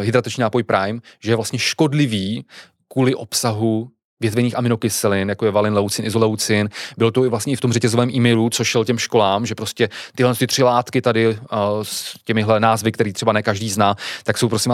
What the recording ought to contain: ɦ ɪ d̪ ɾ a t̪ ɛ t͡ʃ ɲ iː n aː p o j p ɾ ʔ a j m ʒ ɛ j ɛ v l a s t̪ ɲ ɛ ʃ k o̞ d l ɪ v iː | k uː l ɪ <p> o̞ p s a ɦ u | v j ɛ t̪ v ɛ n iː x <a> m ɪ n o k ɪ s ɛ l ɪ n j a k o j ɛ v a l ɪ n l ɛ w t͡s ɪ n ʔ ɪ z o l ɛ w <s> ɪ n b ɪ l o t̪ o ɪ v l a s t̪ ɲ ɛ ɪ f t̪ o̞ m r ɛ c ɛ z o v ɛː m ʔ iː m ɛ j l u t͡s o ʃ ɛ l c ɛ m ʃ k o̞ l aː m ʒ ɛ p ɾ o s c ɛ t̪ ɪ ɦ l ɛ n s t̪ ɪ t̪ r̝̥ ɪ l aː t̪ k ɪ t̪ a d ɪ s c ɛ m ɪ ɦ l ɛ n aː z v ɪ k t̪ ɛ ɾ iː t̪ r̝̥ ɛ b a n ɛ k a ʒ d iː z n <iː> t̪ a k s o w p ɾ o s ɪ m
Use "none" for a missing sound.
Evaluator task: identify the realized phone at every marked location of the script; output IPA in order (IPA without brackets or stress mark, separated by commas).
ʔ, a, t͡s, aː